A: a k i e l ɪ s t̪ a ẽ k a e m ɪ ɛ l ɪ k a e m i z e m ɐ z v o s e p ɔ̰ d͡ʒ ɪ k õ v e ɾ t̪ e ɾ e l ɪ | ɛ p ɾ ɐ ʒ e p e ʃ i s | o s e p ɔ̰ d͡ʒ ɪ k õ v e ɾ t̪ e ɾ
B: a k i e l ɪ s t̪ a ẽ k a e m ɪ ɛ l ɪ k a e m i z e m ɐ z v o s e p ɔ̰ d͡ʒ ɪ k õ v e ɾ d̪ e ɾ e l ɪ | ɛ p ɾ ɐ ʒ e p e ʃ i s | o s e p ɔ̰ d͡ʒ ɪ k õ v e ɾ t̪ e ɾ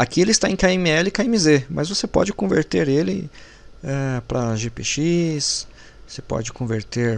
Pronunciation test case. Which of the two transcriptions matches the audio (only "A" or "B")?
A